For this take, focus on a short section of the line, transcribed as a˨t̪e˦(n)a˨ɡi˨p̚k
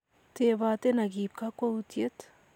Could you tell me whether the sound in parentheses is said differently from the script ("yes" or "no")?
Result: no